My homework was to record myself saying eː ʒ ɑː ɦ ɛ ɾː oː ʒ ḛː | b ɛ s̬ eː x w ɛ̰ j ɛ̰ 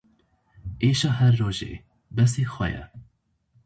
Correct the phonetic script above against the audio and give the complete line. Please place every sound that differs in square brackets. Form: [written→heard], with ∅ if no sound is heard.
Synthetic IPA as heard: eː [ʒ→ʃ] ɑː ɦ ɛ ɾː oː ʒ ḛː | b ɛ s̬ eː x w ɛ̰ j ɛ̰